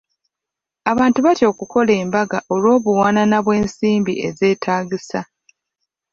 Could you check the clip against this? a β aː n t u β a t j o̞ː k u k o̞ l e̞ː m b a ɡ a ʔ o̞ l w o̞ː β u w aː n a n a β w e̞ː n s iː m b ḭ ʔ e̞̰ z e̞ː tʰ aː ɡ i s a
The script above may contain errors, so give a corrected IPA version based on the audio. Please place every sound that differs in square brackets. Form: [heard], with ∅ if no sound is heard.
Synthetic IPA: a β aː n t u β a t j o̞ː k u k o̞ l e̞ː m b a ɡ a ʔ o̞ l w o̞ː β u w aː n a n a β w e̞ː n s iː m b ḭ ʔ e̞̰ z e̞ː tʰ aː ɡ i s a